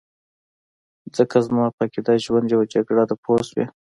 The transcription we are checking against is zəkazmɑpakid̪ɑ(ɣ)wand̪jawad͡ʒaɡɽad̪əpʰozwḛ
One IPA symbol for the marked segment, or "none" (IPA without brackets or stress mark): ʒ